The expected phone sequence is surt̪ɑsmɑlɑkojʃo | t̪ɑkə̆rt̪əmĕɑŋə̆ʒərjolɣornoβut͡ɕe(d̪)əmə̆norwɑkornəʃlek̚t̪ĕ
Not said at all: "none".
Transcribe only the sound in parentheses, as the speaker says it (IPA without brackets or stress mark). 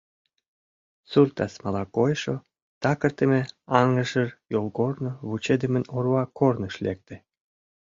d̪